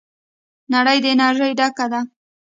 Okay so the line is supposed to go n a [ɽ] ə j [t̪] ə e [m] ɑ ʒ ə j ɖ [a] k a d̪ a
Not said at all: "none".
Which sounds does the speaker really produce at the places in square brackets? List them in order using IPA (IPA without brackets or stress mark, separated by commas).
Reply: ɽ, d̪, n, a